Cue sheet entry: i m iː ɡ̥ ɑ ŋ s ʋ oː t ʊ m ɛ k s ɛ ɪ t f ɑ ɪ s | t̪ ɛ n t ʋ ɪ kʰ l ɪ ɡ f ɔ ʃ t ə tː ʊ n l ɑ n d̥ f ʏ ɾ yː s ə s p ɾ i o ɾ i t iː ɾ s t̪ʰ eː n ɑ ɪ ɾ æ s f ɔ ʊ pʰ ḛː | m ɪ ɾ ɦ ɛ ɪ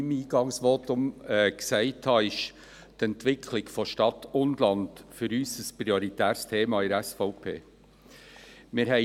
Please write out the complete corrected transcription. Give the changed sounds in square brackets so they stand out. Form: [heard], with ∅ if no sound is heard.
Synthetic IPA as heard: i m iː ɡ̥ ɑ ŋ s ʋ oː t ʊ m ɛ k s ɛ ɪ t [h] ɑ ɪ [ʃ] | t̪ ɛ n t ʋ ɪ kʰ l ɪ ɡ f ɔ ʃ t [ɑ] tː ʊ n l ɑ n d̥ f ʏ ɾ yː s ə s p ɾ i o ɾ i t [æː] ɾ s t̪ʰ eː [m] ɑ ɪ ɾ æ s f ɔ ʊ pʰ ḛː | m ɪ ɾ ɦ ɛ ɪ

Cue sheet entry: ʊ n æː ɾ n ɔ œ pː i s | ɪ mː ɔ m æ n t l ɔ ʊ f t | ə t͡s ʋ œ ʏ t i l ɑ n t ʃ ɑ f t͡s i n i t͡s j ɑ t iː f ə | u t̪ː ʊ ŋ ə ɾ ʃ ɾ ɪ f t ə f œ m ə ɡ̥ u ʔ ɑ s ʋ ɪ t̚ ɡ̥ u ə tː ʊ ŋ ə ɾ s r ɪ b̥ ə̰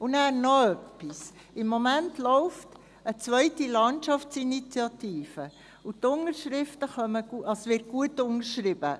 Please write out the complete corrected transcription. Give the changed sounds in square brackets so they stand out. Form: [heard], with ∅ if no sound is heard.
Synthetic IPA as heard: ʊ n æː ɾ n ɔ œ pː i s | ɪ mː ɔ m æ n t l ɔ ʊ f t | ə t͡s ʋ œ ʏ t i l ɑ n t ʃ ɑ f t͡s i n i t͡s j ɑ t iː f ə | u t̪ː ʊ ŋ ə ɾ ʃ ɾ ɪ f t ə [χ] œ m ə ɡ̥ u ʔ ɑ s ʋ ɪ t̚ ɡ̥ u ə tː ʊ ŋ ə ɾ [ʃ] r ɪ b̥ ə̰

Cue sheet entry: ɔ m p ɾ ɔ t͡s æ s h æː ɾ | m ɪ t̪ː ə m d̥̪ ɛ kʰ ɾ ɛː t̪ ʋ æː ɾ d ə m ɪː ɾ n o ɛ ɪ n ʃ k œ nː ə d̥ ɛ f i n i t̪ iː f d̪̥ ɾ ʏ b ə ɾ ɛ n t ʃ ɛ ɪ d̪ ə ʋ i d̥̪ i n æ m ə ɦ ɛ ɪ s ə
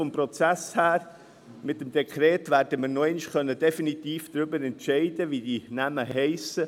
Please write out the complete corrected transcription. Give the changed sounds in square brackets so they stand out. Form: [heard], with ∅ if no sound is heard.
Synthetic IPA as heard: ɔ m p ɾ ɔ t͡s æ s h æː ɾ | m ɪ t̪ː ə m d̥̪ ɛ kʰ ɾ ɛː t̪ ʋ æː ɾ d ə m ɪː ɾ n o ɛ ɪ n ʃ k œ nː ə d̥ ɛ f i n i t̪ iː f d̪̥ ɾ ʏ b ə ɾ ɛ n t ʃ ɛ ɪ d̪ ə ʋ i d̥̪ i n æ m ə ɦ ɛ ɪ s ə

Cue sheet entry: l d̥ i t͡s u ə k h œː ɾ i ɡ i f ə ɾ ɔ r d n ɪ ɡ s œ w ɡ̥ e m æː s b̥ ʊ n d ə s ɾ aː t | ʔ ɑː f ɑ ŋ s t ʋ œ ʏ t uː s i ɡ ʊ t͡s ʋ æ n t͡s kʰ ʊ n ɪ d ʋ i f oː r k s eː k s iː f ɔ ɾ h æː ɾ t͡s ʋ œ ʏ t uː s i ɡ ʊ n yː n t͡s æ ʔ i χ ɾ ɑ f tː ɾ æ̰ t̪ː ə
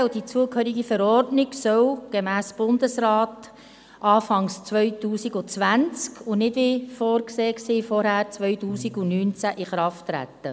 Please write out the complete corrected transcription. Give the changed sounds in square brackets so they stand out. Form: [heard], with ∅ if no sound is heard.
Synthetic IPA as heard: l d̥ i t͡s u ə k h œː ɾ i ɡ i f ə ɾ ɔ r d n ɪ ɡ s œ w ɡ̥ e m æː s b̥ ʊ n d ə s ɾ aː t | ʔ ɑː f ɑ ŋ s [t͡s] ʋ œ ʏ t uː s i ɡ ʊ t͡s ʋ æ n t͡s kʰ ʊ n ɪ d ʋ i f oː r k s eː k s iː f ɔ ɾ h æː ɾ t͡s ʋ œ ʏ t uː s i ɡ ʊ n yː n t͡s æ ʔ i χ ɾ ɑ f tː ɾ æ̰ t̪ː ə

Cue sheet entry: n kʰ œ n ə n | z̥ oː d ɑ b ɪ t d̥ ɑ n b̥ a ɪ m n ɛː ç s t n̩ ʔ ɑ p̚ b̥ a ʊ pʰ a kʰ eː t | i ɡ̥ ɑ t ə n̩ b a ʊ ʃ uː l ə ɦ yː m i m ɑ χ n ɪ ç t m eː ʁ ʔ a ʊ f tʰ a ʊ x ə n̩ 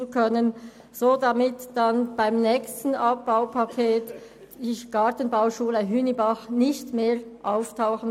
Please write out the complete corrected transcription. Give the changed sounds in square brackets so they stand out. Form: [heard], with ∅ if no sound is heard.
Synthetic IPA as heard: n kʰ œ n ə n | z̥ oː d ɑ [m] ɪ t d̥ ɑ n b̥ a ɪ m n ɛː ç s t n̩ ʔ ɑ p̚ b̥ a ʊ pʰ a kʰ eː t | i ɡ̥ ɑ t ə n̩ b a ʊ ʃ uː l ə ɦ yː [n] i [b] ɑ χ n ɪ ç t m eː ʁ ʔ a ʊ f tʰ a ʊ x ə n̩

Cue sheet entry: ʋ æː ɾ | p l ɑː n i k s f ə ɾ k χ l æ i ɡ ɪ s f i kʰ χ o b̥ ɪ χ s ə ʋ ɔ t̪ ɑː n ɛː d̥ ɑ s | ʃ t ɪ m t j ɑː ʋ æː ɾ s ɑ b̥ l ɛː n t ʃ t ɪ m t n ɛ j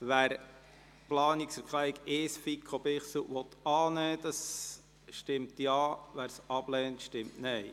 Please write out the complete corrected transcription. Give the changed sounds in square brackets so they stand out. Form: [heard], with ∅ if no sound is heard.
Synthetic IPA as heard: ʋ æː ɾ | p l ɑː n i k s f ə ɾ k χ l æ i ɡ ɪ s f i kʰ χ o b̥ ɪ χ s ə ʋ ɔ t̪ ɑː n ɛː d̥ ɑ s | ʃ t ɪ m t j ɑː ʋ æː ɾ s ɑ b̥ l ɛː n t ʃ t ɪ m t n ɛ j

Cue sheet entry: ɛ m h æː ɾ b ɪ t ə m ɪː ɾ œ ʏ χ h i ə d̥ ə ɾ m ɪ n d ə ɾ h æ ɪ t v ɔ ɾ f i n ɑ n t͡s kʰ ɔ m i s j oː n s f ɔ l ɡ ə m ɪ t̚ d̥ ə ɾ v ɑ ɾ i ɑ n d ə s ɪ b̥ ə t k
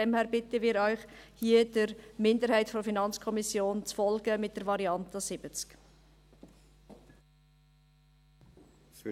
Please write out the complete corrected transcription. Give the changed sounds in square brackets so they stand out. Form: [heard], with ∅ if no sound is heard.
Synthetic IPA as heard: ɛ m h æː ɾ b ɪ t ə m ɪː ɾ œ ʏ χ h i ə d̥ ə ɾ m ɪ n d ə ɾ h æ ɪ t [f] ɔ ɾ f i n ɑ n t͡s kʰ ɔ m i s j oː n [t͡s] f ɔ l ɡ ə m ɪ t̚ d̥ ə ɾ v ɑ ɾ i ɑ n [t] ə s ɪ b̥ ə [t͡s] k

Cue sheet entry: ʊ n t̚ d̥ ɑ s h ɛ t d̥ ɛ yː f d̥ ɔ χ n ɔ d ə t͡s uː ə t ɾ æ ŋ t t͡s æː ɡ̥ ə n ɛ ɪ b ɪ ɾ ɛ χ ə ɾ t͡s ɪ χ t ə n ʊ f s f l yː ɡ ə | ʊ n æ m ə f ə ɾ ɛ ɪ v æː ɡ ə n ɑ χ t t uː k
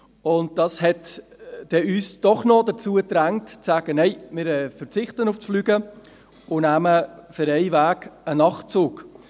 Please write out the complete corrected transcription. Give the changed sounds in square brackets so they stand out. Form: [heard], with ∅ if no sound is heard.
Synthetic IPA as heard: ʊ n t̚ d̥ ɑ s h ɛ t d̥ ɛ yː [s] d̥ ɔ χ n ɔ d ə t͡s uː ə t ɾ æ ŋ t t͡s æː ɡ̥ ə n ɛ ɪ [m] ɪ ɾ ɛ [f] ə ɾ t͡s ɪ χ t ə n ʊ f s f l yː ɡ ə | ʊ n æ m ə f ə ɾ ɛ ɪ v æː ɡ ə n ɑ χ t [t͡s] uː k

